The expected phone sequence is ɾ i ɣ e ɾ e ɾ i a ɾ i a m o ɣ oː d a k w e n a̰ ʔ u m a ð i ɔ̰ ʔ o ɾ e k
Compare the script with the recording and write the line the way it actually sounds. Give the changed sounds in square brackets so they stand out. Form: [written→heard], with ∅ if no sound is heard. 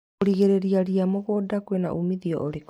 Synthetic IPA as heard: ɾ i ɣ e ɾ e ɾ i a ɾ i a m o ɣ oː d a k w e n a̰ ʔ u m [a→i] ð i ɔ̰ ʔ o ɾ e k

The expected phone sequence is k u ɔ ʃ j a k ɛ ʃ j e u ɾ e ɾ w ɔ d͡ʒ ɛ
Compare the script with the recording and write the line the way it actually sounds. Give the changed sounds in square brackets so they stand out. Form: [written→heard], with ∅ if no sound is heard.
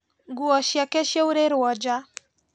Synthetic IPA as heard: [k→ɡ] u ɔ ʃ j a k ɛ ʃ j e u ɾ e ɾ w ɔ d͡ʒ [ɛ→a]

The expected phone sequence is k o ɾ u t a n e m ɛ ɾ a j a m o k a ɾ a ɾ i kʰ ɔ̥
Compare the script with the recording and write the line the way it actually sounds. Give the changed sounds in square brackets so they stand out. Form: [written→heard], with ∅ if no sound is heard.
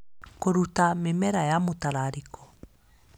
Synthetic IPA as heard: k o ɾ u t a [n→m] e m ɛ ɾ a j a m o [k→t] a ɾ a ɾ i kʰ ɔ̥

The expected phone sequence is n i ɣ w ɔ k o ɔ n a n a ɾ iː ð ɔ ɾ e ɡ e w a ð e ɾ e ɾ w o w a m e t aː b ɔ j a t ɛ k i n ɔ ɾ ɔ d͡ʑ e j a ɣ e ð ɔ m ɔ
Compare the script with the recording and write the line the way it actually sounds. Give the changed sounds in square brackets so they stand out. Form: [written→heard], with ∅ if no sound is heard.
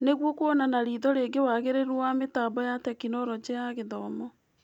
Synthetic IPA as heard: n [i→e] ɣ w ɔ k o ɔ n a n a ɾ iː ð ɔ ɾ e ɡ e w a [ð→ɣ] e ɾ e ɾ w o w a m e t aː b ɔ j a t ɛ k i n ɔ ɾ ɔ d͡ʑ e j a ɣ e ð ɔ m ɔ

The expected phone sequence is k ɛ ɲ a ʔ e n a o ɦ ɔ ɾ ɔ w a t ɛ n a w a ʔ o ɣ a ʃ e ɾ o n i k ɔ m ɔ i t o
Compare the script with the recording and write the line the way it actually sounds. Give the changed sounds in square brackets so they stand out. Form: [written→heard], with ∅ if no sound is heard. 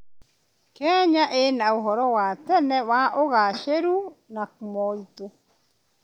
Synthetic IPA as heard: k ɛ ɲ a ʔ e n a o ɦ ɔ ɾ ɔ w a t ɛ n [a→ɛ] w a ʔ o ɣ a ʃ e ɾ [o→u] n [i→a] k [ɔ→u] m ɔ i t o

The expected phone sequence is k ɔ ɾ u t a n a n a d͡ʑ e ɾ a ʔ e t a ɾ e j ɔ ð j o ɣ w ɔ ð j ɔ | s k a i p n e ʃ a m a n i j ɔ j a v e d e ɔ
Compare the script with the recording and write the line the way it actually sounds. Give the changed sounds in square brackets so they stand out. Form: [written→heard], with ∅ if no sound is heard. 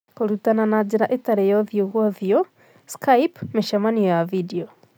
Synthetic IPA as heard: k [ɔ→o] ɾ u t a n a n a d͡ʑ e ɾ a ʔ e t a ɾ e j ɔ ð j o ɣ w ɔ ð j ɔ | s k a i p [n→m] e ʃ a m a n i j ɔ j a v [e→i] d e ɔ

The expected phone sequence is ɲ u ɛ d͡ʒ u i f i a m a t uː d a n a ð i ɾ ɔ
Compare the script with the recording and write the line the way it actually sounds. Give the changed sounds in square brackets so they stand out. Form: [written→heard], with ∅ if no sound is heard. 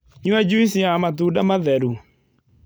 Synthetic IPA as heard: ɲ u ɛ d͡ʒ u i [f→s] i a m a t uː d a [n→m] a ð [i→ɛ] ɾ [ɔ→u]

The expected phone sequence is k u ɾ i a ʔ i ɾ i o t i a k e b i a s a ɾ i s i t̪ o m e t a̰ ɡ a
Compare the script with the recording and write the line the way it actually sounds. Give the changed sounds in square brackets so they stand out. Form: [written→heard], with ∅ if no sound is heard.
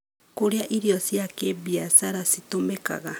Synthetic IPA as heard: k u ɾ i a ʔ i ɾ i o [t→s] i a k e b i a s a ɾ [i→a] s i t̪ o m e [t→k] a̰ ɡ a

